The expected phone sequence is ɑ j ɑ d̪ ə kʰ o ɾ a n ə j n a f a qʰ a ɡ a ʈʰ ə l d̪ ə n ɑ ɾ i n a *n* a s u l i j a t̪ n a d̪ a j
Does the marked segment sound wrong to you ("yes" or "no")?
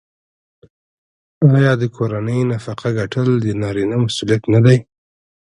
yes